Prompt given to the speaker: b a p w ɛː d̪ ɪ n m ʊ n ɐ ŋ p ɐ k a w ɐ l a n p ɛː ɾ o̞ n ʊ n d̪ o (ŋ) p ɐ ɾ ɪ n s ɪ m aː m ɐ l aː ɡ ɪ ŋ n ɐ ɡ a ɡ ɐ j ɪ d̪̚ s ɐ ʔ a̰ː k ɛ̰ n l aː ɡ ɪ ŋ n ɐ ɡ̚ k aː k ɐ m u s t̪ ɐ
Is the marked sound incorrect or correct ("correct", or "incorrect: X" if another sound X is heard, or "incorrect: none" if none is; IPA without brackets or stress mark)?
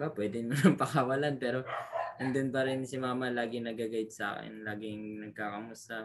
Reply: incorrect: n